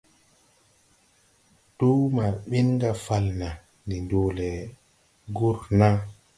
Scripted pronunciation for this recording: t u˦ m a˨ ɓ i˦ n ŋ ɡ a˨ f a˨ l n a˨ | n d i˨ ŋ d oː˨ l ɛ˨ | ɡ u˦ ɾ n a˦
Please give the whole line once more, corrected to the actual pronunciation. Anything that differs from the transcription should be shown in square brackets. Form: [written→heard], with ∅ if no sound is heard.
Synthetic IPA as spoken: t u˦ m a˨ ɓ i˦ n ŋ ɡ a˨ f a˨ l n a˨ | n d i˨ [ŋ→n] d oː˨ l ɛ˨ | ɡ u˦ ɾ n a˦